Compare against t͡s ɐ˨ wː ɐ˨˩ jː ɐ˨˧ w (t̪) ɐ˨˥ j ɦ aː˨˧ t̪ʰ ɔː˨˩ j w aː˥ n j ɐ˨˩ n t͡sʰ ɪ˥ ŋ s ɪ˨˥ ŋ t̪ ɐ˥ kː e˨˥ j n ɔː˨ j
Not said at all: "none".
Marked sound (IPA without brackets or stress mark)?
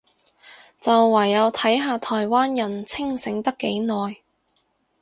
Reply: t̪ʰ